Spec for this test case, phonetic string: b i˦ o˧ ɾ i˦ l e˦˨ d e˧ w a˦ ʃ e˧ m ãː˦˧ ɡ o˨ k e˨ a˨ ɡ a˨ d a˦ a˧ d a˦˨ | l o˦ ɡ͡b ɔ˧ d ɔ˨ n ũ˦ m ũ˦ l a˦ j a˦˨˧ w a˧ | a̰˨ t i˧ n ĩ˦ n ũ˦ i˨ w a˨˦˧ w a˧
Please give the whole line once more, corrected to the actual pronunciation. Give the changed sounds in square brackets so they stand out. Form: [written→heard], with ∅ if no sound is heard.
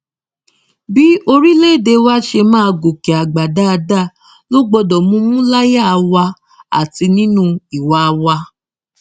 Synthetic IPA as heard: b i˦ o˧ ɾ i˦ l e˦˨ d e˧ w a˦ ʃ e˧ m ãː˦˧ ɡ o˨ k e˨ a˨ [ɡ→ɡ͡b] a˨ d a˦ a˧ d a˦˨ | l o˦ ɡ͡b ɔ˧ d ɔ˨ [n→m] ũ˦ m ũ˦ l a˦ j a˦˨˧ w a˧ | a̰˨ t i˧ n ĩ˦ n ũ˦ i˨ w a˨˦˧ w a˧